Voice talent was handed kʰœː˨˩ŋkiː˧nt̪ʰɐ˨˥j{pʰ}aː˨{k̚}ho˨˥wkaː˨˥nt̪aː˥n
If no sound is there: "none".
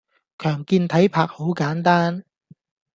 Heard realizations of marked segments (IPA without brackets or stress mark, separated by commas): pʰ, k̚